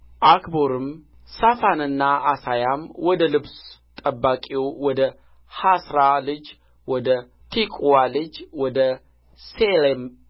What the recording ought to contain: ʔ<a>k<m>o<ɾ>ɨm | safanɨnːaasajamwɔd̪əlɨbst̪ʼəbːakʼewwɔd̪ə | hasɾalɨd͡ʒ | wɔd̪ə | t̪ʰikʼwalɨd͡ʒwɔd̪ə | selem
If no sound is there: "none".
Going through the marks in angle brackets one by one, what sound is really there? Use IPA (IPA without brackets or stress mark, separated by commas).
a, b, ɾ